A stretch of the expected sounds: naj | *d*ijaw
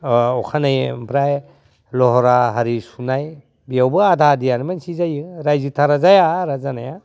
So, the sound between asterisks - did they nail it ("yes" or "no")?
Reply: no